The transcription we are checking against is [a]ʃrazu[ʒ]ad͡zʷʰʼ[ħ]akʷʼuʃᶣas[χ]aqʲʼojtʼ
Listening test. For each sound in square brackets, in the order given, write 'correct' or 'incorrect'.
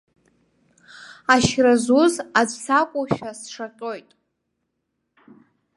correct, incorrect: z, incorrect: s, incorrect: ʂ

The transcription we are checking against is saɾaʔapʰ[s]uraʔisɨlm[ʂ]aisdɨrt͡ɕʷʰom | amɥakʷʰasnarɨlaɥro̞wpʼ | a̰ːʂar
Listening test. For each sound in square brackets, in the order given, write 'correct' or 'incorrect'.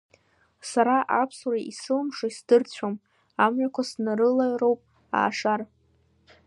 correct, correct

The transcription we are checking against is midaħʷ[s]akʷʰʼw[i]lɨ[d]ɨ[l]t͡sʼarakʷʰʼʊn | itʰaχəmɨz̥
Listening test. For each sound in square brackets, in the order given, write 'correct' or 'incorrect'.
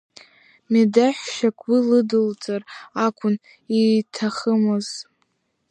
incorrect: ʃ, correct, correct, correct

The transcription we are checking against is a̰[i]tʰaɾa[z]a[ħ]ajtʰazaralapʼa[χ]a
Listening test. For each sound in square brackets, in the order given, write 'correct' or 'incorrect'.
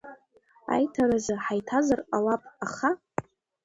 incorrect: j, correct, correct, correct

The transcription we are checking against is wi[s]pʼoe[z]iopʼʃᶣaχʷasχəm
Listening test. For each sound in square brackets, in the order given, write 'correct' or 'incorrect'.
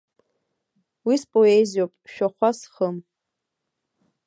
correct, correct

